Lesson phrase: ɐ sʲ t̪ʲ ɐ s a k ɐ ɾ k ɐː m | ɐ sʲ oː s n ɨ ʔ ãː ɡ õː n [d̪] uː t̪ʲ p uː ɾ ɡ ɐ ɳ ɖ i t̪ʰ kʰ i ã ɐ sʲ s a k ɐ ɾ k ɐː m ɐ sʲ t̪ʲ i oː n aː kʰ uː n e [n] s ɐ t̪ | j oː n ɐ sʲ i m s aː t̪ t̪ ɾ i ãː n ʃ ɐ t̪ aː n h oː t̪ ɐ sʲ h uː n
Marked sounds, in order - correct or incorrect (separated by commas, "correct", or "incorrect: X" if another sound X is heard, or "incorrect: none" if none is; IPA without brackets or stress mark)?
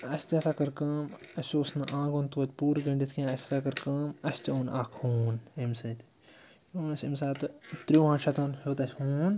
incorrect: t̪, incorrect: m